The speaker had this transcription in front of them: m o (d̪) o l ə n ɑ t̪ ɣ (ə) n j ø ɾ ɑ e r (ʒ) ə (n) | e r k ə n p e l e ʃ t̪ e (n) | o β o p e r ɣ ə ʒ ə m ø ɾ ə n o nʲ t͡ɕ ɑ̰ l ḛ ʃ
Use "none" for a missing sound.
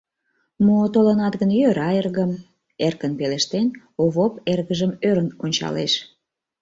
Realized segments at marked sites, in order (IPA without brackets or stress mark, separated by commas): t̪, ə, ɣ, m, n